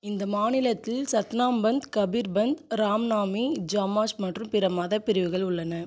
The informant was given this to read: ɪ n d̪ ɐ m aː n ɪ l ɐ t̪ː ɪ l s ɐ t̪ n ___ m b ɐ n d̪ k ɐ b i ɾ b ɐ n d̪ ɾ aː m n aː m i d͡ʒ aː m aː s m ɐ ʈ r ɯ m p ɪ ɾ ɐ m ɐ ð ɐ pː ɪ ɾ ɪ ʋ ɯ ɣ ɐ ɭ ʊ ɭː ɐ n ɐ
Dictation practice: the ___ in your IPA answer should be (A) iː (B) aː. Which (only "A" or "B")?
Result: B